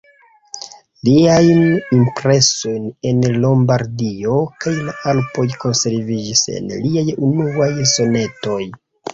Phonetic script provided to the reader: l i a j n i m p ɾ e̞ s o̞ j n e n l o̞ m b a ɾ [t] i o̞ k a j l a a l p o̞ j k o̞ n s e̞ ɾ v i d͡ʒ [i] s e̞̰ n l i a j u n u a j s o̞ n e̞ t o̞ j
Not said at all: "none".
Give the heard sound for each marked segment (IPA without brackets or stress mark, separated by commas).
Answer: d, i